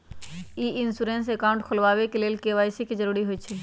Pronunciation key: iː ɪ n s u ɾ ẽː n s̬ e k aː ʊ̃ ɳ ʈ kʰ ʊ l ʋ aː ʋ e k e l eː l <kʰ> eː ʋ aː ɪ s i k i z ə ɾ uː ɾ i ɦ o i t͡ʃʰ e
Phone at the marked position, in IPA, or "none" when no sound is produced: k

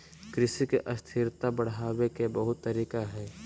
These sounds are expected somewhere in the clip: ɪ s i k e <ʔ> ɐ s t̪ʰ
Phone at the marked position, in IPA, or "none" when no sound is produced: ʔ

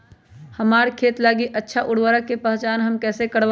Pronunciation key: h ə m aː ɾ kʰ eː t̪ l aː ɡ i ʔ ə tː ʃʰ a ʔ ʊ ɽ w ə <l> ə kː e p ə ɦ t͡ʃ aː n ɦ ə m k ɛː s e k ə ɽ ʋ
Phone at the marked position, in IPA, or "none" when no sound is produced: ɾ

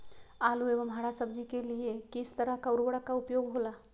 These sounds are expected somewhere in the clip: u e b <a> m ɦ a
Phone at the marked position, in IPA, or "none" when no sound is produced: ə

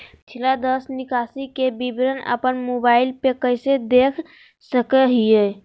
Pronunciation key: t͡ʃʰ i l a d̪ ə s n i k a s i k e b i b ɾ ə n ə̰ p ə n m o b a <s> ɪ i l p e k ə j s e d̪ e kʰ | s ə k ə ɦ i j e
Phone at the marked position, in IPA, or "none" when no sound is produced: none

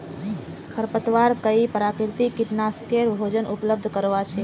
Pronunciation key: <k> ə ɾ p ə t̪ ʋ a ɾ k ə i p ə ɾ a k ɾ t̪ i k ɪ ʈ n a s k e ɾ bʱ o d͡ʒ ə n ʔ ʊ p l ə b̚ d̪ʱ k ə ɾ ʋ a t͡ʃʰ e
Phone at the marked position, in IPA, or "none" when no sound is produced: kʰ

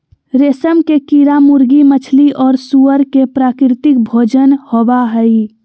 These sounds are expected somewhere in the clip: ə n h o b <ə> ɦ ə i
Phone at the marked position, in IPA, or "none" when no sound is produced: a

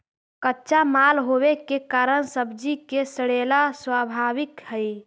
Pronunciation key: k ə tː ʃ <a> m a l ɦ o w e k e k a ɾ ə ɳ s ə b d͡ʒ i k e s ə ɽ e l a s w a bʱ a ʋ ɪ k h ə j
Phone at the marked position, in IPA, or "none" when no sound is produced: a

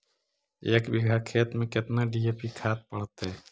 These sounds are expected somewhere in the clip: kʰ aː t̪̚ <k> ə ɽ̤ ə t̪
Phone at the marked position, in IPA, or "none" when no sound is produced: p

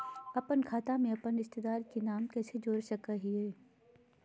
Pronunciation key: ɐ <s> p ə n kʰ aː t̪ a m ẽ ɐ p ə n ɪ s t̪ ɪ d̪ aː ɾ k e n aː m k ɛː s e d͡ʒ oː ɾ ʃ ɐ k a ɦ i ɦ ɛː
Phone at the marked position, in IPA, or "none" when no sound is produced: none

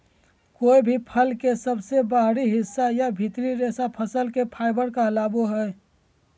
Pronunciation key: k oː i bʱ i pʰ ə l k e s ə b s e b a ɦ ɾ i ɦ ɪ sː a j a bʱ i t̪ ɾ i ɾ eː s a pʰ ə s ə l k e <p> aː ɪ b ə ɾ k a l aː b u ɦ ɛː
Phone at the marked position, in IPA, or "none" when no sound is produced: pʰ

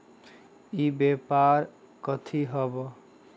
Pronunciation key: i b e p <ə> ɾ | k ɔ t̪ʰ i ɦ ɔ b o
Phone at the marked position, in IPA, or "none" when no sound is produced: a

